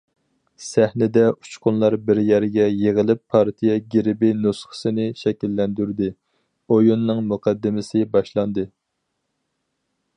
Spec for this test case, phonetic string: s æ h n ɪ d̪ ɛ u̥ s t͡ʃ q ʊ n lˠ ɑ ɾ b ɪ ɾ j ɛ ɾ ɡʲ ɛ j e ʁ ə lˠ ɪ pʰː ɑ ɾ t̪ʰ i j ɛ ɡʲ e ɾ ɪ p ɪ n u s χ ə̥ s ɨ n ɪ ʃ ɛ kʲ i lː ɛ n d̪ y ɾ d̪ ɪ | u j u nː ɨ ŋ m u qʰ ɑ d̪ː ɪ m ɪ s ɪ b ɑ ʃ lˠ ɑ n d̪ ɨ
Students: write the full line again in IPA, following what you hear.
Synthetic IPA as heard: s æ h n ɪ d̪ ɛ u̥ t͡ʃ q ʊ n lˠ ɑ ɾ b ɪ ɾ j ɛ ɾ ɡʲ ɛ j e ʁ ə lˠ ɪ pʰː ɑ ɾ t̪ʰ i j ɛ ɡʲ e ɾ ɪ b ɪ n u s χ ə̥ s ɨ n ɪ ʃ ɛ kʲ i lː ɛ n d̪ y ɾ d̪ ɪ | o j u nː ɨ ŋ m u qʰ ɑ d̪ː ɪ m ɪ s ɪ b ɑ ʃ lˠ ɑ n d̪ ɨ

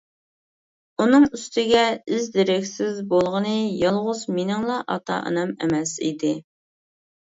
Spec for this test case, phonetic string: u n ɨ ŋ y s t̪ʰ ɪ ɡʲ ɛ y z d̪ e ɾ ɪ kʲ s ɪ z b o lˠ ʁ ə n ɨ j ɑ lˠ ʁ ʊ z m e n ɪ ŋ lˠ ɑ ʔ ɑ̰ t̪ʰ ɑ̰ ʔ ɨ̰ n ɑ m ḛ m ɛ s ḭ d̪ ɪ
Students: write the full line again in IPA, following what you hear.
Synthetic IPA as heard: u n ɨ ŋ y s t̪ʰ ɪ ɡʲ ɛ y z d̪ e ɾ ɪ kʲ s ɪ z b o lˠ ʁ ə n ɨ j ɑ lˠ ʁ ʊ z m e n ɪ ŋ lˠ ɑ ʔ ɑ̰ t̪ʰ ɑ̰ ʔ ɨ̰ n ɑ m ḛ m ɛ s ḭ d̪ ɪ

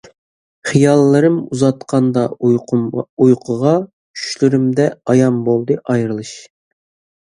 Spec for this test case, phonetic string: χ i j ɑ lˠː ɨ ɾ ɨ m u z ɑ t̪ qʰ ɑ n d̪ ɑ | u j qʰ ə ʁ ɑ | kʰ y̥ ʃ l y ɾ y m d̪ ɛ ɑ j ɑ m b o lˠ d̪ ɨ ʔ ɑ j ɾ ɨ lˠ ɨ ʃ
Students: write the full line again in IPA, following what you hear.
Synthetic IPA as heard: χ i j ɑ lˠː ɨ ɾ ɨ m u z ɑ t̪ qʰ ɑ n d̪ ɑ | u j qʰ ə ʁ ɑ | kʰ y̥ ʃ l y ɾ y m d̪ ɛ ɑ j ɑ m b o lˠ d̪ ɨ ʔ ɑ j ɾ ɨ lˠ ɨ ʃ

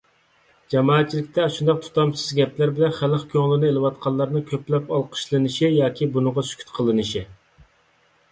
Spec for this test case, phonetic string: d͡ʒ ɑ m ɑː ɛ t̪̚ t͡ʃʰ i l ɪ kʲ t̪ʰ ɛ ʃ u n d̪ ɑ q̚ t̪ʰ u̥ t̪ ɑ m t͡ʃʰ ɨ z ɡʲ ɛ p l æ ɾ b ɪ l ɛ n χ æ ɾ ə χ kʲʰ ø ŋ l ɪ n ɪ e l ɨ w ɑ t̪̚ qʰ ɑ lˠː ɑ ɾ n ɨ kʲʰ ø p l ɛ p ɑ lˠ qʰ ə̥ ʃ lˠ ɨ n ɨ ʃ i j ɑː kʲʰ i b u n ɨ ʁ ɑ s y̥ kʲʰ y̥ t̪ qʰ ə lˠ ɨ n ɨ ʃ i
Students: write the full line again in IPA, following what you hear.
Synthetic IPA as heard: d͡ʒ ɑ m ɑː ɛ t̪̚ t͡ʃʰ i l ɪ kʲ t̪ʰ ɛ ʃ u n d̪ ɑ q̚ t̪ʰ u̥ t̪ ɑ m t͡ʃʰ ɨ z ɡʲ ɛ p l æ ɾ b ɪ l ɛ n χ æ l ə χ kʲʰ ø ŋ l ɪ n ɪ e l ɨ w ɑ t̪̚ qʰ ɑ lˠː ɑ ɾ n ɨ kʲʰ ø p l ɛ p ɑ lˠ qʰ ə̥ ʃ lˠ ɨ n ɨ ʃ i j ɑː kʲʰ i b u n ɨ ʁ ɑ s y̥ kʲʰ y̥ t̪ qʰ ə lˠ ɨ n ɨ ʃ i

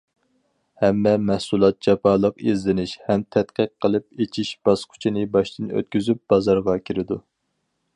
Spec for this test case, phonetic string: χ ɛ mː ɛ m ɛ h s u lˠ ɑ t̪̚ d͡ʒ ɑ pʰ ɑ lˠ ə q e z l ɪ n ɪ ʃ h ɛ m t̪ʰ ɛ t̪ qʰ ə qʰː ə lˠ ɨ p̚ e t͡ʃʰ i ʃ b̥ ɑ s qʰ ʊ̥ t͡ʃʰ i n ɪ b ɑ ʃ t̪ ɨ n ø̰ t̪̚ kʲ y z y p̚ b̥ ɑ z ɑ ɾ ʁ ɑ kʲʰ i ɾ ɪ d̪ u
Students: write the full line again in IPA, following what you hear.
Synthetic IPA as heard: h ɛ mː ɛ m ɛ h s u lˠ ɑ t̪̚ d͡ʒ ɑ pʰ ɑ lˠ ə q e z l ɪ n ɪ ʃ h ɛ m t̪ʰ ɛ t̪ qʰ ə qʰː ə lˠ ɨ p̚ e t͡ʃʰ i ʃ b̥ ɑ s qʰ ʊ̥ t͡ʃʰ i n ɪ b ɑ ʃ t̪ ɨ n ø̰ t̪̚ kʲ y z y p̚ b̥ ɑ z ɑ ɾ ʁ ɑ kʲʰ i ɾ ɪ d̪ u

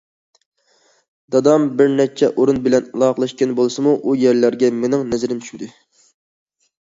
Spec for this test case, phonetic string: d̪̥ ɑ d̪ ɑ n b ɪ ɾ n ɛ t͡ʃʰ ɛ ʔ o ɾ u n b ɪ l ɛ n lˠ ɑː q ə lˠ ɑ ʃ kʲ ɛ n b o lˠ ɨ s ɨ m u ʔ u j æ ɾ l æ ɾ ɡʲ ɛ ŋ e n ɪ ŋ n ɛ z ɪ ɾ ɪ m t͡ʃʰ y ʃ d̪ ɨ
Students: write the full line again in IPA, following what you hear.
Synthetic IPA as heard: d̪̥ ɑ d̪ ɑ m b ɪ ɾ n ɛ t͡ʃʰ ɛ ʔ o ɾ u n b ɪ l ɛ n lˠ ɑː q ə lˠ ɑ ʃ kʲ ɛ n b o lˠ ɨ s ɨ m u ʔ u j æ ɾ l æ ɾ ɡʲ ɛ m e n ɪ ŋ n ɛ z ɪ ɾ ɪ m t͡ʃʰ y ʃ d̪ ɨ

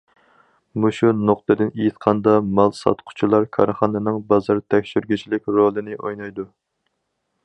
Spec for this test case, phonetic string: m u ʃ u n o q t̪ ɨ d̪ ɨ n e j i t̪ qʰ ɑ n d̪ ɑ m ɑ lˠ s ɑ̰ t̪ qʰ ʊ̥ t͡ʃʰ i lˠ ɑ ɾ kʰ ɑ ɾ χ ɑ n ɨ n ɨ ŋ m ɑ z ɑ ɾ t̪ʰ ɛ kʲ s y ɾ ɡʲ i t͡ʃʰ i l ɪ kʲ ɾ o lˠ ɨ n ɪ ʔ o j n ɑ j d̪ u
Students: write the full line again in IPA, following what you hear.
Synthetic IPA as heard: m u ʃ u n o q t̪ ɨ d̪ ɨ n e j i t̪ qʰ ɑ n d̪ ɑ m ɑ lˠ s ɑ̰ t̪ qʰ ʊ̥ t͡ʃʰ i lˠ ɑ ɾ kʰ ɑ ɾ χ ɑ n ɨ n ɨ ŋ b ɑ z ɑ ɾ t̪ʰ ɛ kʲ ʃ y ɾ ɡʲ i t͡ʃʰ i l ɪ kʲ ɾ o lˠ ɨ n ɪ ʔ o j n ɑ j d̪ u

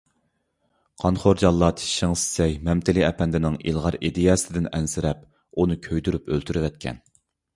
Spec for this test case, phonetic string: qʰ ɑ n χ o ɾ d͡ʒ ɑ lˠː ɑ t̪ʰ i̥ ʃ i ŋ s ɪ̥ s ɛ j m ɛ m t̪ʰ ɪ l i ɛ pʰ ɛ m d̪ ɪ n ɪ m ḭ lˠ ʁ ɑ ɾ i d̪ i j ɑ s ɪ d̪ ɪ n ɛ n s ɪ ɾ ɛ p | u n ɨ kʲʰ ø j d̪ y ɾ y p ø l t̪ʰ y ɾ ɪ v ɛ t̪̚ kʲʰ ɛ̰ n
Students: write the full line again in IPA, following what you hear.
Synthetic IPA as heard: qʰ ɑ n χ o ɾ d͡ʒ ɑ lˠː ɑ t̪ʰ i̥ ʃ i ŋ s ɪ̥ s ɛ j m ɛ m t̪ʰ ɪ l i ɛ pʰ ɛ n d̪ ɪ n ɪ ŋ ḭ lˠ ʁ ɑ ɾ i d̪ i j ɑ s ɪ d̪ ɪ n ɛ n s ɪ ɾ ɛ p | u n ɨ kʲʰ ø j d̪ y ɾ y p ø l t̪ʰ y ɾ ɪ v ɛ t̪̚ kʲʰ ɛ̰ n

